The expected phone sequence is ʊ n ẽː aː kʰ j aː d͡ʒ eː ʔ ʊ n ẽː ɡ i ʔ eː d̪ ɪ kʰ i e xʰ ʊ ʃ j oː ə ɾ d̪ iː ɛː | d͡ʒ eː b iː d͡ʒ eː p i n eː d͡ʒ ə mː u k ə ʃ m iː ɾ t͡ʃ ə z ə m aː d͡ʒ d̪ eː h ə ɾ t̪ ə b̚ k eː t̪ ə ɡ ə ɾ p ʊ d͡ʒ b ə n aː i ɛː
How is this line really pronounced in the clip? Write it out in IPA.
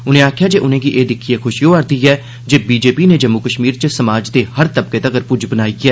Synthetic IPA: ʊ n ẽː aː kʰ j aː d͡ʒ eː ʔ ʊ n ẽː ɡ i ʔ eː d̪ ɪ kʰ i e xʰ ʊ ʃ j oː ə ɾ d̪ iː ɛː | d͡ʒ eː b iː d͡ʒ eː p i n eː d͡ʒ ə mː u k ə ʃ m iː ɾ t͡ʃ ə s ə m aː d͡ʒ d̪ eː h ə ɾ t̪ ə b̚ k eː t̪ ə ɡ ə ɾ p ʊ d͡ʒ b ə n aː i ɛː